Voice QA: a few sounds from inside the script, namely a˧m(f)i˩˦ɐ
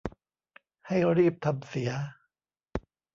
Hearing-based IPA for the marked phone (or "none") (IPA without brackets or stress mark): s